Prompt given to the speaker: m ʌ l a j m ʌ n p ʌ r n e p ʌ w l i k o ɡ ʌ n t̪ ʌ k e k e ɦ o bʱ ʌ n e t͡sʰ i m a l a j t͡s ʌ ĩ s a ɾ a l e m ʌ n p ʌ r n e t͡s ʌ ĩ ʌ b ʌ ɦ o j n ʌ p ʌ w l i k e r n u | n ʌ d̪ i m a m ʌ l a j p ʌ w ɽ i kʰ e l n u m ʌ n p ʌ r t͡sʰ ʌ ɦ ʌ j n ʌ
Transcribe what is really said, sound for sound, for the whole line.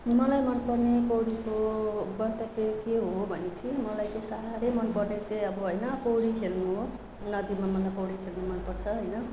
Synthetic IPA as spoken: m ʌ l a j m ʌ n p ʌ r n e p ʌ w ɽ i k o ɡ ʌ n t̪ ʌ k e k e ɦ o bʱ ʌ n e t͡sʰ i m ʌ l a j t͡s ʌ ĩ s a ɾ a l e m ʌ n p ʌ r n e t͡s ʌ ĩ ʌ b ʌ ɦ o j n ʌ p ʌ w ɽ i kʰ e l n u | n ʌ d̪ i m a m ʌ l a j p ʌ w ɽ i kʰ e l n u m ʌ n p ʌ r t͡sʰ ʌ ɦ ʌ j n ʌ